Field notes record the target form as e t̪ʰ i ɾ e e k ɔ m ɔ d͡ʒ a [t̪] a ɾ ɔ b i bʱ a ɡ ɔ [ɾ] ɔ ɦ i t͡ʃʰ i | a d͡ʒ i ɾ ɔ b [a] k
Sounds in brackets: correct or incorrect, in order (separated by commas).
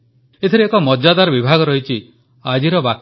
incorrect, correct, correct